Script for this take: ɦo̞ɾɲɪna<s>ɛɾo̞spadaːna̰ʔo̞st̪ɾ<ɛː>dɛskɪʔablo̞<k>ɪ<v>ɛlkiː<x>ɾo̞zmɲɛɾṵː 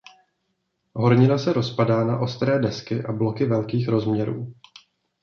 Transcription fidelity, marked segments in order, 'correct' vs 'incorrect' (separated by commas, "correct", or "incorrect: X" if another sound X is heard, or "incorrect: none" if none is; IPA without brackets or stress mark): correct, correct, correct, correct, correct